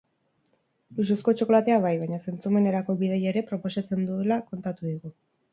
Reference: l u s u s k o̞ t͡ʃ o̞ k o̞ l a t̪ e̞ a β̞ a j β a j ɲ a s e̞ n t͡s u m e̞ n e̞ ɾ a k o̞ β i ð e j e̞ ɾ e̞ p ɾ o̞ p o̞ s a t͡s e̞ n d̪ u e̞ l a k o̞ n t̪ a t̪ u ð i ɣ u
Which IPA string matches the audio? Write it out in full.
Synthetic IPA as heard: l u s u s k o̞ t͡ʃ o̞ k o̞ l a t̪ e̞ a β̞ a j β a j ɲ a s e̞ n t͡s u m e̞ n e̞ ɾ a k o̞ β i ð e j e̞ ɾ e̞ p ɾ o̞ p o̞ s a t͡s e̞ n d̪ u e̞ l a k o̞ n t̪ a t̪ u ð i ɣ u